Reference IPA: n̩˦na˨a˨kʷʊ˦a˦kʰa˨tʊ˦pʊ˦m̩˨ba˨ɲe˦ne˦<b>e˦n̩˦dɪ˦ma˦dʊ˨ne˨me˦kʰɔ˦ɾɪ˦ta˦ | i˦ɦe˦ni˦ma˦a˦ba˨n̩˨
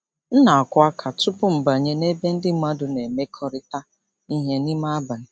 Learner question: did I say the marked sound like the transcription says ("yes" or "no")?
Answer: yes